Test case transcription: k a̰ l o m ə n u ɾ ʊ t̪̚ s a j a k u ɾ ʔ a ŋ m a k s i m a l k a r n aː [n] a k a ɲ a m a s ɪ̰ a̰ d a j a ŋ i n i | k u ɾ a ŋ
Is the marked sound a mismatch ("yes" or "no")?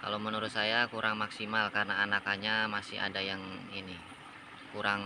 no